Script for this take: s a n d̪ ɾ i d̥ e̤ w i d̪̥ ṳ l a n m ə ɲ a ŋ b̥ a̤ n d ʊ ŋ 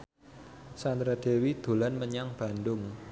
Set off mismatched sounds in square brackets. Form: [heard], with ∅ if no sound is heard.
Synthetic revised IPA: s a n d̪ ɾ [a] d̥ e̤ w i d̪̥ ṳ l a n m ə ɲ a ŋ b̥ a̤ n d ʊ ŋ